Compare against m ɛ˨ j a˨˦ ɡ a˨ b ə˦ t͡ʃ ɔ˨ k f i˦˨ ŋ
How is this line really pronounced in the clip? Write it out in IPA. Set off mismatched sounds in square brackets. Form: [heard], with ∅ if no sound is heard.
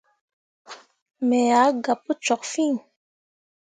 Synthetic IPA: m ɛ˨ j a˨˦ ɡ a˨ [p] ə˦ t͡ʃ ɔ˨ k f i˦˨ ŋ

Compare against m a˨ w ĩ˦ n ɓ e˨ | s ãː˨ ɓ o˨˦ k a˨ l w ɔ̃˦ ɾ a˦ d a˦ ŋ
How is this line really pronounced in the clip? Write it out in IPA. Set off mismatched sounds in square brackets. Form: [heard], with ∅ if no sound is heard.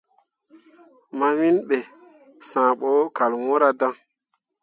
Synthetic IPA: m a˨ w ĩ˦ n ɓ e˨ | s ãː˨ ɓ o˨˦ k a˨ l w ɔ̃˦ ɾ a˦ d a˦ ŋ

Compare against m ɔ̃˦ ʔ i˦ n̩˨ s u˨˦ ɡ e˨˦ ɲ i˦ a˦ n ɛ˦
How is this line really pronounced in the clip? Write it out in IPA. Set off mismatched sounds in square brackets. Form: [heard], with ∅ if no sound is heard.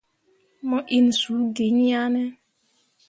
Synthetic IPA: m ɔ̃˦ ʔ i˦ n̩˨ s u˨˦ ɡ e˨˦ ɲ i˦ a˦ n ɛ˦

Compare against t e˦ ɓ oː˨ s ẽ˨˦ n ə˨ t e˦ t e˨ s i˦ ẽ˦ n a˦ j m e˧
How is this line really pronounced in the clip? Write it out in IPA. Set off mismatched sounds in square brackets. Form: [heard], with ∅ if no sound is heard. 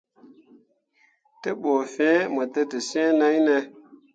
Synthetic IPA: t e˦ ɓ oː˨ [f] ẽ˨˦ [m] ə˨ t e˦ t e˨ s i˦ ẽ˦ n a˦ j [n] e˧

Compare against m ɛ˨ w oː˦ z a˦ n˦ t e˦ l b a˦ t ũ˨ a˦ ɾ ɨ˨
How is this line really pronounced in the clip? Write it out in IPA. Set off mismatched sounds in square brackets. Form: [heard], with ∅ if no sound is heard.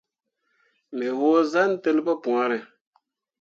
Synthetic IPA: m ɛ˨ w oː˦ z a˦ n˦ t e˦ l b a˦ [p] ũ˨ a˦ ɾ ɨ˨

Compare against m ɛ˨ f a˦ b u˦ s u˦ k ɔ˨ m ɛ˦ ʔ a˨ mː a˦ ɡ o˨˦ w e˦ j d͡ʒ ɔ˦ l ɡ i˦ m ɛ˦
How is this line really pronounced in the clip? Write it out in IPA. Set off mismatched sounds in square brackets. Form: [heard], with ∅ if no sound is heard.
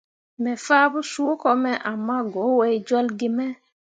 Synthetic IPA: m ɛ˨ f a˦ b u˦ s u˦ k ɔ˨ m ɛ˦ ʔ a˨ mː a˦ ɡ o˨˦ w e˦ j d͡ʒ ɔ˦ l ɡ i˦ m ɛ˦

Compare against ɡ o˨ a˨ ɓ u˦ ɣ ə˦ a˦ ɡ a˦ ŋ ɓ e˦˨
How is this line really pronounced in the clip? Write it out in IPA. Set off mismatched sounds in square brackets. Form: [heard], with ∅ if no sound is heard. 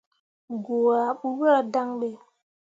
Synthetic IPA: ɡ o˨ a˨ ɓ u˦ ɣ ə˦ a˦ [d] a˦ ŋ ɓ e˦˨

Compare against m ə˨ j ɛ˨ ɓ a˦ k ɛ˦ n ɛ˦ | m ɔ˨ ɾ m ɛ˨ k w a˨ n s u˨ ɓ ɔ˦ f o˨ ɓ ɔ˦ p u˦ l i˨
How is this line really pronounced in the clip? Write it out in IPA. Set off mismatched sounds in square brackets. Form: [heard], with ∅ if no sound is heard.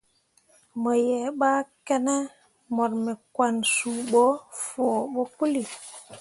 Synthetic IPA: m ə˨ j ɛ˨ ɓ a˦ k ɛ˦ n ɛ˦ | m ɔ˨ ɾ m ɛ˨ k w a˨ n s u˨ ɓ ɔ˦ f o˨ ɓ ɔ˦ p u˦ l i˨

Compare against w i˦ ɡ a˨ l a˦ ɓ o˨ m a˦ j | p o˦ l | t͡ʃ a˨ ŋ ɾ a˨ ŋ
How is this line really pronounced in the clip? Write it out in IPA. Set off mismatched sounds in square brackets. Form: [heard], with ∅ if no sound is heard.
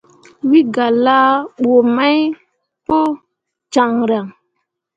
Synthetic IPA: w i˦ ɡ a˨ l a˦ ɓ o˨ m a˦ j | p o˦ [∅] | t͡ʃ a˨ ŋ ɾ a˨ ŋ

